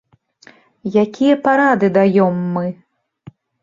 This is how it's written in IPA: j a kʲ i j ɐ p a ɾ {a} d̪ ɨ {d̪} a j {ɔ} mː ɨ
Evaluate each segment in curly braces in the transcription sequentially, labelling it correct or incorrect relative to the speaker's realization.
correct, correct, correct

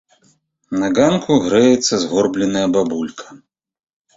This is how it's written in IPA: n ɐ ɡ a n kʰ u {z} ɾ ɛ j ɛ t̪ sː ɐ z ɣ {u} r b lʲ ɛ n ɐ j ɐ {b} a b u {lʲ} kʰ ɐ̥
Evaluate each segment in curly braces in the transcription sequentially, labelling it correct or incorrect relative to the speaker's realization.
incorrect, incorrect, correct, correct

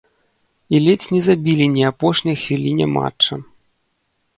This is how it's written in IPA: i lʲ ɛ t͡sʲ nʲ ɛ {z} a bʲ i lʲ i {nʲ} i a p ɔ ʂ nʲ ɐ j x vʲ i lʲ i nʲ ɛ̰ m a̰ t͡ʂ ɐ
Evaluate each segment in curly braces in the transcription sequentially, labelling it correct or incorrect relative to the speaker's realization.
correct, correct

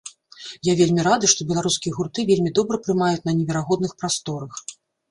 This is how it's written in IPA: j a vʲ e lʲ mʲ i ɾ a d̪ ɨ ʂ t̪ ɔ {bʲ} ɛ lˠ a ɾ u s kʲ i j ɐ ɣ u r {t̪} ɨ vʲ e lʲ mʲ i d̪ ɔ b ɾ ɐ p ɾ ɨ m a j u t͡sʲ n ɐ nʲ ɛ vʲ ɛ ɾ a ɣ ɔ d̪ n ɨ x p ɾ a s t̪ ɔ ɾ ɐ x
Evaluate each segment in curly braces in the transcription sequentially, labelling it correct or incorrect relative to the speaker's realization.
correct, correct

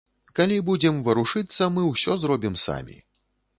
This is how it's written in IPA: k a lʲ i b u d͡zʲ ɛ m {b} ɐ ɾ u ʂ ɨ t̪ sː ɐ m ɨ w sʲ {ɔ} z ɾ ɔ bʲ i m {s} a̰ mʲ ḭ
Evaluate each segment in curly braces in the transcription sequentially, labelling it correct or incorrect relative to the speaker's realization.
incorrect, correct, correct

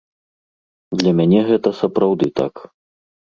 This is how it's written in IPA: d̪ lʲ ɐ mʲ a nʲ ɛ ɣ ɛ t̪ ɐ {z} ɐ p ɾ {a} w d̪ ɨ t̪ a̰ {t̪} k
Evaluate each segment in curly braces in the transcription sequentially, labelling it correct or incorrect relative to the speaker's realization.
incorrect, correct, incorrect

